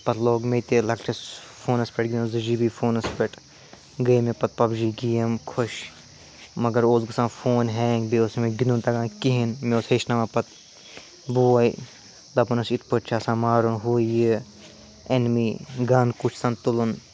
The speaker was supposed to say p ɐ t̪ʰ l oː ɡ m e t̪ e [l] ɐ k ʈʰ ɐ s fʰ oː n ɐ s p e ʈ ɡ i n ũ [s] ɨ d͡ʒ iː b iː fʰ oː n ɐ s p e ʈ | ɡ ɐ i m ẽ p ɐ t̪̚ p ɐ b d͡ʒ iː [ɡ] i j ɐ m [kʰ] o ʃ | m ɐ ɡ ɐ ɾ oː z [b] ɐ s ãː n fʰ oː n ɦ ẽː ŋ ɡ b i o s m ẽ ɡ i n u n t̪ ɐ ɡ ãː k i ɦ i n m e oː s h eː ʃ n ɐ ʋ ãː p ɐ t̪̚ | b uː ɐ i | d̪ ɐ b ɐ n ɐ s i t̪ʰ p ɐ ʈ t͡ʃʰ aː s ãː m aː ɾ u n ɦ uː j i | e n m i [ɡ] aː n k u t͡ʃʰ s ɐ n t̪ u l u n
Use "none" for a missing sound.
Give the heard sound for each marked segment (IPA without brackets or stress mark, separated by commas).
l, z, ɡ, kʰ, ɡ, ɡ